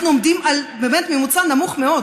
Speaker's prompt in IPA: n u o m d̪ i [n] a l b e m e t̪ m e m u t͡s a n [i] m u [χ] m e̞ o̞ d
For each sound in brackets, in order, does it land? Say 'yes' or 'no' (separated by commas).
no, no, yes